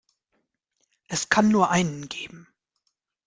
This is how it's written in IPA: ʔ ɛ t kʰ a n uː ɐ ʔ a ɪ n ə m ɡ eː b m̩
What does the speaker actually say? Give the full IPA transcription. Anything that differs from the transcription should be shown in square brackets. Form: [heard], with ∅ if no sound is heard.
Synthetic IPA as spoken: ʔ ɛ [s] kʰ a [nː] uː ɐ ʔ a ɪ n ə [n] ɡ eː b m̩